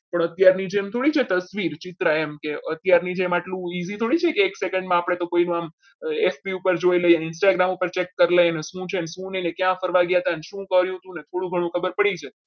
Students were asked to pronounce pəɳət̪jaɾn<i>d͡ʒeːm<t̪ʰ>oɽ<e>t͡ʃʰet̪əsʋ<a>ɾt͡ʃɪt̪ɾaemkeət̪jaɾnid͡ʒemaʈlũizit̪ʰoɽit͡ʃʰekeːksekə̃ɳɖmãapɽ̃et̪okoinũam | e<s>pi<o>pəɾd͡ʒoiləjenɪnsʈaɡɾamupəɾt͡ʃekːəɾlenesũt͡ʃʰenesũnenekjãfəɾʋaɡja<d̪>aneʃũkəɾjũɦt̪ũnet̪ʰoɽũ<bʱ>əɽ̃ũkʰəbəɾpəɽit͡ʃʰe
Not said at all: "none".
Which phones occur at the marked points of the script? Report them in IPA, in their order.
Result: i, t̪ʰ, i, i, f, u, t̪, ɡʱ

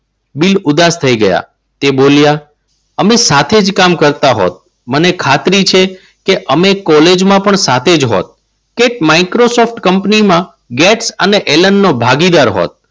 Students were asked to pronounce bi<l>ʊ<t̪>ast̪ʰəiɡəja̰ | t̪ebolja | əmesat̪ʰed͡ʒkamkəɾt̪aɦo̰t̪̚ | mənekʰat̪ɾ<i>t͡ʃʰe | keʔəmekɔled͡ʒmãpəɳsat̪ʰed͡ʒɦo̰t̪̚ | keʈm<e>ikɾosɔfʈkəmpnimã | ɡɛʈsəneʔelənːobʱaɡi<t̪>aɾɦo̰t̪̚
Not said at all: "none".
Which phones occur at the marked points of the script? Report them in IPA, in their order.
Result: l, d̪, i, a, d̪

